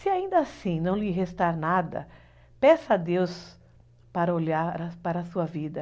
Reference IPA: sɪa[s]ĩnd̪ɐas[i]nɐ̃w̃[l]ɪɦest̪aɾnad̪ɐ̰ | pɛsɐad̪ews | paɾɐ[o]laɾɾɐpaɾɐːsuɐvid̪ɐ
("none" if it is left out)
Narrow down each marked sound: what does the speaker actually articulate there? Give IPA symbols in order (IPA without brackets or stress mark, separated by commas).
none, ĩ, l, o